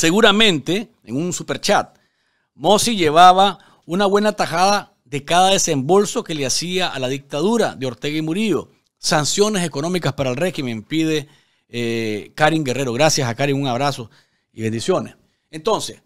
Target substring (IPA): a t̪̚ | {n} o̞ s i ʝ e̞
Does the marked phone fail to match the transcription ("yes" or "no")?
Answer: yes